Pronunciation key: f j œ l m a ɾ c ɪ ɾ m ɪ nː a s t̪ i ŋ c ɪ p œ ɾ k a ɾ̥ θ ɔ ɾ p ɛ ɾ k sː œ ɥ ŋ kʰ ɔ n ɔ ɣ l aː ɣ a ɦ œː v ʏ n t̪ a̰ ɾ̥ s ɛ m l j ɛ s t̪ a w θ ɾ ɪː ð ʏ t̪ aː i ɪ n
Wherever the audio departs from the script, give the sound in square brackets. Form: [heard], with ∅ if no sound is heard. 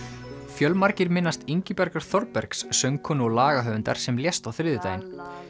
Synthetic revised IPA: f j œ l m a ɾ c ɪ ɾ m ɪ nː a s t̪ i [ɲ] c ɪ p [ɛ] ɾ k a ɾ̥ θ ɔ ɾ p ɛ ɾ k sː œ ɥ ŋ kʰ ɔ n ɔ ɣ l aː ɣ a ɦ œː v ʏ n t̪ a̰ ɾ̥ s ɛ m l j ɛ s t̪ a w θ ɾ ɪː ð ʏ t̪ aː [j] ɪ n